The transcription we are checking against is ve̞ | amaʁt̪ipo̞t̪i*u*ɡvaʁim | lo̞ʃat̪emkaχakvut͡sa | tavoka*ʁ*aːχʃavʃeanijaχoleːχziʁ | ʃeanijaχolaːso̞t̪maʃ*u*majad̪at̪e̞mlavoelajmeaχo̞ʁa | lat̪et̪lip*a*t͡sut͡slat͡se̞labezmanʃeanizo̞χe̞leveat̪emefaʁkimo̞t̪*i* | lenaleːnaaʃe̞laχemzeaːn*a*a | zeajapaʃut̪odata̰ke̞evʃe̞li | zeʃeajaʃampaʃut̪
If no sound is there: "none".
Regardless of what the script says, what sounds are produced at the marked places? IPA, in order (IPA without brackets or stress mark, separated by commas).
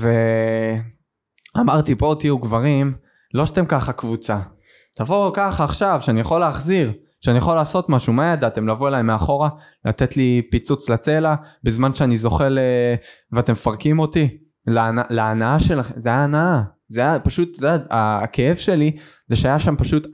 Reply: u, χ, u, i, i, a